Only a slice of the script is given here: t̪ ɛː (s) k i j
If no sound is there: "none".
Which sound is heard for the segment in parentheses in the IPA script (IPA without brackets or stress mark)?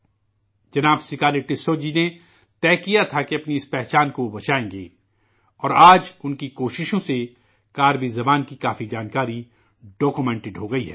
none